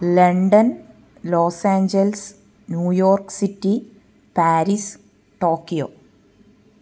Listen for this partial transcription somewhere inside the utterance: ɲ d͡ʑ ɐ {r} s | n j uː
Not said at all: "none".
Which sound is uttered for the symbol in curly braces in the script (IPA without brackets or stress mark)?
l